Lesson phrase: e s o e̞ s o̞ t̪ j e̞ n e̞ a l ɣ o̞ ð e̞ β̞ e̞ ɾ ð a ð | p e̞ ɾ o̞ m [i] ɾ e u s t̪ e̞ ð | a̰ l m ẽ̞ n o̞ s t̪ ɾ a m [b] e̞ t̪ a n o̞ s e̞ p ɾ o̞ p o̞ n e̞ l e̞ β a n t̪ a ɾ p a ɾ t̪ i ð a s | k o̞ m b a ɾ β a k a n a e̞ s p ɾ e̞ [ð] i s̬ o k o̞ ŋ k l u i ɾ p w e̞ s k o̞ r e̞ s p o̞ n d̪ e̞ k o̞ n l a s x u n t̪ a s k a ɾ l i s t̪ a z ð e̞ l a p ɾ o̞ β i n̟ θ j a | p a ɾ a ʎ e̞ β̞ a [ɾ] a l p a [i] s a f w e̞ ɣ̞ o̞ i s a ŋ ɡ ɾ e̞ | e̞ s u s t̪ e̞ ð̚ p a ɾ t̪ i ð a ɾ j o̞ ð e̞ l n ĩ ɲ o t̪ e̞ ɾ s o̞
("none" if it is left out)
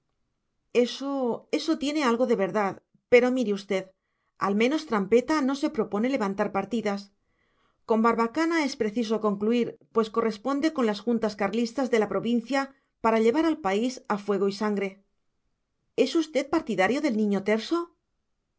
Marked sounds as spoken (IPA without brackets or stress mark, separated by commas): i, p, θ, ɾ, i